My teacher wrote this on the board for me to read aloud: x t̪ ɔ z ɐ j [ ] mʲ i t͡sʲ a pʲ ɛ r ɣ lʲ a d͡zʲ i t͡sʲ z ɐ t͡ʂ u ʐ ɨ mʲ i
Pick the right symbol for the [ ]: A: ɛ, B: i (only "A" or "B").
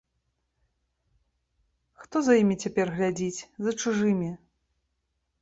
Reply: B